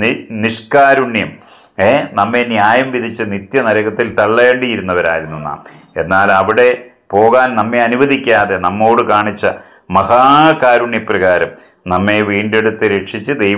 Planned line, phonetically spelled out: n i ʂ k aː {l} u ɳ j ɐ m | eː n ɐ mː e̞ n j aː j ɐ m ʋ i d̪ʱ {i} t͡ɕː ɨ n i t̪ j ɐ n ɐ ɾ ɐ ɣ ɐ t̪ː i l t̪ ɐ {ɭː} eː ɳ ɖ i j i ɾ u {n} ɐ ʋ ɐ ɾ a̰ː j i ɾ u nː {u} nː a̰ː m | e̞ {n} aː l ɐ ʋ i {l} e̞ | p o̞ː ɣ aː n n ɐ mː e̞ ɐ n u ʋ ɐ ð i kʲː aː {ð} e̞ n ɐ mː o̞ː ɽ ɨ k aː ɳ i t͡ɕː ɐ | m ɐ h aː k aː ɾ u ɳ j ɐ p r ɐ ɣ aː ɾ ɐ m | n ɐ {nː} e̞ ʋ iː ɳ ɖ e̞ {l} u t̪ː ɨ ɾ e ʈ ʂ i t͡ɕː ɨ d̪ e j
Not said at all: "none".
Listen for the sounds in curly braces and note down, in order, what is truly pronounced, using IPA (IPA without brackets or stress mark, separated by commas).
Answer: ɾ, i, ɭː, nː, u, nː, ɽ, ð, mː, ɽ